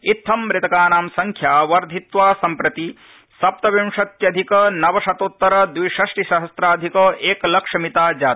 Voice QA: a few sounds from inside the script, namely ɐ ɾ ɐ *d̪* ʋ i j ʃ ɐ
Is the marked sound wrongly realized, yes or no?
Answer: no